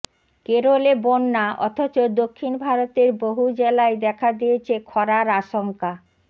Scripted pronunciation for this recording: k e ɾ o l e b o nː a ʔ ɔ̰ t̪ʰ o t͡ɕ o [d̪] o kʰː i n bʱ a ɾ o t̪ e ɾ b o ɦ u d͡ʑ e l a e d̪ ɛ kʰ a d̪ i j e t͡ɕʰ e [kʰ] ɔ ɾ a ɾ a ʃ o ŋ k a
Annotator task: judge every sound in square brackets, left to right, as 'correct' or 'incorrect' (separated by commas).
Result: correct, correct